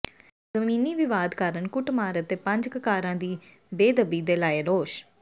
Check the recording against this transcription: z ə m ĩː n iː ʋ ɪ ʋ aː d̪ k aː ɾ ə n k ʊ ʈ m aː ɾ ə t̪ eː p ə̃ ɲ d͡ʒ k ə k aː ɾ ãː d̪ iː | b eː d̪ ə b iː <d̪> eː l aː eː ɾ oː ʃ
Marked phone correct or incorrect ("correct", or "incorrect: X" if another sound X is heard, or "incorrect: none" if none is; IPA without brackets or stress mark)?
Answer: correct